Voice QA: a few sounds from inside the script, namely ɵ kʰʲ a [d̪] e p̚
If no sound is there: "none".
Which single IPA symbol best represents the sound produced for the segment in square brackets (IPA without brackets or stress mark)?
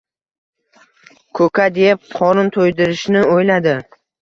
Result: d̪